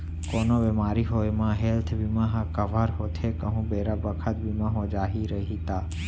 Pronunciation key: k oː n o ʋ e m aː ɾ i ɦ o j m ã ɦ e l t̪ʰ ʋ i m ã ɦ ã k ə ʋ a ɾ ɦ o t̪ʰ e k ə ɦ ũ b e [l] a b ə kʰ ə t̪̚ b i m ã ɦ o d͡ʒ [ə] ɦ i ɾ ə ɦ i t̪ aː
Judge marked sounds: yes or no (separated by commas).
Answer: no, no